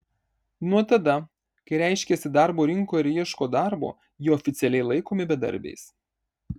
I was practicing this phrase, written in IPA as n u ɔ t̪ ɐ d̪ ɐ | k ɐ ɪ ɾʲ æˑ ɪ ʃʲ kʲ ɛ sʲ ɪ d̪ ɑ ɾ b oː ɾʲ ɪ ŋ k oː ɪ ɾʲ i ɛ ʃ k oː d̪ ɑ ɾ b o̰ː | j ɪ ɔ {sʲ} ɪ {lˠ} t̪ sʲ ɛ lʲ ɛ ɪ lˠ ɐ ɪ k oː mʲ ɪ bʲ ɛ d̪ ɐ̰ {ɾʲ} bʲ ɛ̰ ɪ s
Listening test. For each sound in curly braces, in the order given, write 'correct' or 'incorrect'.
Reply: incorrect: fʲ, incorrect: none, correct

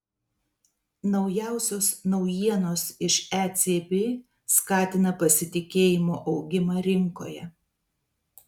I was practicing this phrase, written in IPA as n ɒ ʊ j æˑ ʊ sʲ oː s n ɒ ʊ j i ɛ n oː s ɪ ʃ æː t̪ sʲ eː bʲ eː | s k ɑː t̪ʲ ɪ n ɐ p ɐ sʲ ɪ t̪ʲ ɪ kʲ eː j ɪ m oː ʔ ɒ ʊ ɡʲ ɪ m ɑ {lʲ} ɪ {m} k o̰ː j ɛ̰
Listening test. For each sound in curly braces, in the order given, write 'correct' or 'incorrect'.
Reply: incorrect: ɾʲ, incorrect: ŋ

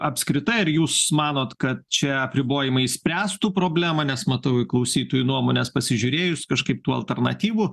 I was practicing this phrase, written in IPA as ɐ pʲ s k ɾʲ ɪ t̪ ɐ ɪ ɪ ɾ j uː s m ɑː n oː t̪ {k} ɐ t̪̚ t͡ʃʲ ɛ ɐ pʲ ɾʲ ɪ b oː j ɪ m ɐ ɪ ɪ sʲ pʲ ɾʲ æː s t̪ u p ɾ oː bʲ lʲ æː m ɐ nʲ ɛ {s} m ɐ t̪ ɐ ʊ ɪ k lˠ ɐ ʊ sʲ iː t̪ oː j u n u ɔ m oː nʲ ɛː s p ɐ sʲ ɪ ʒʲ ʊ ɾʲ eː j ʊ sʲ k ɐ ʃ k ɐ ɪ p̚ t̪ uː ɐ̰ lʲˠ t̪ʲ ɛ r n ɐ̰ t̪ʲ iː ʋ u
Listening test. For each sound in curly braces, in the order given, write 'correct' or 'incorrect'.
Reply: correct, correct

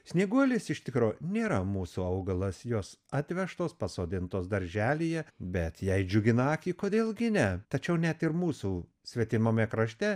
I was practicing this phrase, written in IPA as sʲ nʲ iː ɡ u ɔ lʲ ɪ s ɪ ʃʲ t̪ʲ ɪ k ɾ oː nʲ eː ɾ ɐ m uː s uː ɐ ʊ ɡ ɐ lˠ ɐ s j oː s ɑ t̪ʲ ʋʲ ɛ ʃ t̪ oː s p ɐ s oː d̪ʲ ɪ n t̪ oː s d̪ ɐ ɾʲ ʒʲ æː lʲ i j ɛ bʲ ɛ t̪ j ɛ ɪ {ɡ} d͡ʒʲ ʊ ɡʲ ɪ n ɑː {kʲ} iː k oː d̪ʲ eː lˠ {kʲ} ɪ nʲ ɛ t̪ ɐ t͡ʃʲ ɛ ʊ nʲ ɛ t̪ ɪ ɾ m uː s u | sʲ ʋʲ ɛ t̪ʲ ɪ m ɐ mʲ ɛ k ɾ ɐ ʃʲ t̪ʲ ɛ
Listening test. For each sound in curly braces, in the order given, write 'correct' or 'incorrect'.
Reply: incorrect: none, correct, incorrect: ɡʲ

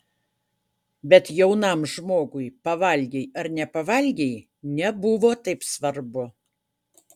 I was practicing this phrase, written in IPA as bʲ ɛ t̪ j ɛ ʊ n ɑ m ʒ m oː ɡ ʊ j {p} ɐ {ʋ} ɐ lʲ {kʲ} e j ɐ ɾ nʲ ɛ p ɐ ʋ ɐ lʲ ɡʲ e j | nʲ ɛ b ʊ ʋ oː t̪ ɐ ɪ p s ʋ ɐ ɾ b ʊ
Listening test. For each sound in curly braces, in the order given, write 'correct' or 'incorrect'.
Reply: correct, correct, incorrect: ɡʲ

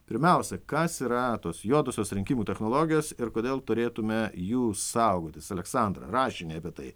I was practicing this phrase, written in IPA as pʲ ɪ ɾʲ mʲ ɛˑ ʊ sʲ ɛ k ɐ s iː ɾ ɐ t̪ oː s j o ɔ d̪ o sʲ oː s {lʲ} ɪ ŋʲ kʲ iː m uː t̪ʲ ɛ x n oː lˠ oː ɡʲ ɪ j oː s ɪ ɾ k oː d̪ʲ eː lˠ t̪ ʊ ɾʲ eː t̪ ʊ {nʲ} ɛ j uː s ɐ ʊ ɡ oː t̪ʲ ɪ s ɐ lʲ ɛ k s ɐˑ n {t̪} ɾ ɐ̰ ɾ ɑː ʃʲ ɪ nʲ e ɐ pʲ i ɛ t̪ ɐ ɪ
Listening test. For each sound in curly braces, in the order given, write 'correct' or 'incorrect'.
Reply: incorrect: ɾʲ, incorrect: mʲ, incorrect: d̪

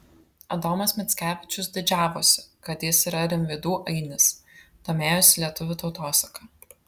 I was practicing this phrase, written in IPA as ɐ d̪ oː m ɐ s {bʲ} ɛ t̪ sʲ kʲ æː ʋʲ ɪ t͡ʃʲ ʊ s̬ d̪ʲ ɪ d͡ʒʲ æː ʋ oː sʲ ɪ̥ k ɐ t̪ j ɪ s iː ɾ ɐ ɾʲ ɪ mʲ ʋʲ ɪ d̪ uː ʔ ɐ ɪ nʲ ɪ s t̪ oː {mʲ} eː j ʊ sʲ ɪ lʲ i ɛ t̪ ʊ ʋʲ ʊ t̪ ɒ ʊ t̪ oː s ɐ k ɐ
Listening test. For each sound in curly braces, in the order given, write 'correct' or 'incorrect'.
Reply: incorrect: mʲ, correct

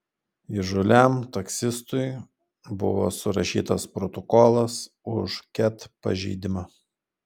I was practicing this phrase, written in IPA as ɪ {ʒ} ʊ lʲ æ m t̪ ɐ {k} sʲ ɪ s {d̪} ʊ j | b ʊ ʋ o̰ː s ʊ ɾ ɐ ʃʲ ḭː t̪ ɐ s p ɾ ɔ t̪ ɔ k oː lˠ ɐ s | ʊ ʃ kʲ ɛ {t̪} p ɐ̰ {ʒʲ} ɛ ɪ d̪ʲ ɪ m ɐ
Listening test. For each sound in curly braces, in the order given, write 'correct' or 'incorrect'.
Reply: correct, correct, incorrect: t̪, correct, correct

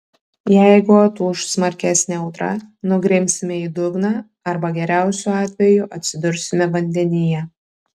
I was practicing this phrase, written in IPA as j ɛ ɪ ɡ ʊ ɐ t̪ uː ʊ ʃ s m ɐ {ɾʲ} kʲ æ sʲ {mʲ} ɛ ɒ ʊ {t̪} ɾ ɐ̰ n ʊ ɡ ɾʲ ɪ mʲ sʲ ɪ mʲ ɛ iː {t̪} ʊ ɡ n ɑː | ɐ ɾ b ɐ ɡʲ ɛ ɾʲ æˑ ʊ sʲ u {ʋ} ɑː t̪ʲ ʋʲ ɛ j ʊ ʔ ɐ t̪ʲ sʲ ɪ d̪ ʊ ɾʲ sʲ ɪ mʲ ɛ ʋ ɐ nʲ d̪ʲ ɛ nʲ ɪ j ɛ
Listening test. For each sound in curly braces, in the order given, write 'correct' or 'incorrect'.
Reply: correct, incorrect: nʲ, correct, incorrect: d̪, incorrect: none

